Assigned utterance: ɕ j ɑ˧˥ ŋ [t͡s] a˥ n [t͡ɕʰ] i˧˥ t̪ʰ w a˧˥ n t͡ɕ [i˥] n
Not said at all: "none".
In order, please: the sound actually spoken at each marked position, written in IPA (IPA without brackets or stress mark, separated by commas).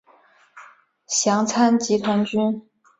t͡sʰ, t͡ɕ, y˥